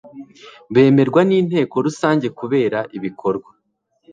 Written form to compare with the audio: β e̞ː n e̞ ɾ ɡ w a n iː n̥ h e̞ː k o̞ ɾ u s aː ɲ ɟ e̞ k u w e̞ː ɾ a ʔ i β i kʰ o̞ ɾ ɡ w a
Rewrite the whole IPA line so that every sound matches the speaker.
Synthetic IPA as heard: β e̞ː m e̞ ɾ ɡ w a n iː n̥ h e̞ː k o̞ ɾ u s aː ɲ ɟ e̞ k u β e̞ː ɾ a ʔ i β i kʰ o̞ ɾ ɡ w a